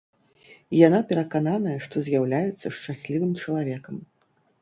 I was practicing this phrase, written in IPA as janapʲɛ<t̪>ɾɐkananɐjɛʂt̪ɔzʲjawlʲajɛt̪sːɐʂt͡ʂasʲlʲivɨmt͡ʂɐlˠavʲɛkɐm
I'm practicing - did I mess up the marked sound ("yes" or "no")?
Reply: yes